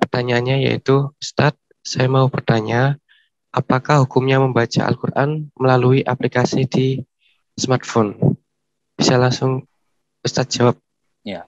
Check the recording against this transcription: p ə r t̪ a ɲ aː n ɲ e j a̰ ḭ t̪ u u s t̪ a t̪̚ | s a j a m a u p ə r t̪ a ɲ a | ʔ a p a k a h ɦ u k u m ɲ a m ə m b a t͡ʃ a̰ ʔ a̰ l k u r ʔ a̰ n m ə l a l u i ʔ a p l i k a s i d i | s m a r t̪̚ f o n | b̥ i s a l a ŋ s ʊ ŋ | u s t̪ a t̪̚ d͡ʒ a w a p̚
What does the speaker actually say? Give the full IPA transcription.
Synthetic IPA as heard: p ə r t̪ a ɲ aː n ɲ a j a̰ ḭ t̪ u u s t̪ a t̪̚ | s a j a m a u p ə r t̪ a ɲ a | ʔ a p a k a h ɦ u k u m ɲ a m ə m b a t͡ʃ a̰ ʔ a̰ l k u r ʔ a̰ n m ə l a l u i ʔ a p l i k a s i d i | s m a r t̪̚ f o n | b̥ i s a l a ŋ s ʊ ŋ | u s t̪ a t̪̚ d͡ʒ a w a p̚